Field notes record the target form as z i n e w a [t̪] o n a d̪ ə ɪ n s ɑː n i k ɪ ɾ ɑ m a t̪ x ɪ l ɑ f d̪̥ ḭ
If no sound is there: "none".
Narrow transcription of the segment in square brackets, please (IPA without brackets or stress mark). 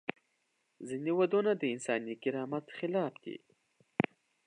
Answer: d̪